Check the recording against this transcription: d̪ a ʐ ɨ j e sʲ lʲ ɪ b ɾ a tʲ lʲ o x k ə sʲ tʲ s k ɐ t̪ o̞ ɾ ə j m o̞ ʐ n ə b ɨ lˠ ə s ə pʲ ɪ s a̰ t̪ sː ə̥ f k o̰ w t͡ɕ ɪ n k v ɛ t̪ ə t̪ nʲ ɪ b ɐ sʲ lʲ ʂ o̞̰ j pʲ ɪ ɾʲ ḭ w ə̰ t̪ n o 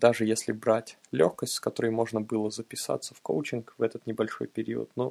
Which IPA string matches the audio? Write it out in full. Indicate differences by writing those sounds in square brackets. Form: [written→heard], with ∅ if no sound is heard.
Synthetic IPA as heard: d̪ a ʐ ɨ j e sʲ lʲ ɪ b ɾ a tʲ lʲ o x k ə sʲ tʲ s k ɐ t̪ o̞ ɾ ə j m o̞ ʐ n ə b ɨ lˠ ə [s→z] ə pʲ ɪ s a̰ t̪ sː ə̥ f k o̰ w t͡ɕ ɪ n k v ɛ t̪ ə t̪ nʲ ɪ b ɐ [sʲ→∅] lʲ ʂ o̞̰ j pʲ ɪ ɾʲ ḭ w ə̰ t̪ n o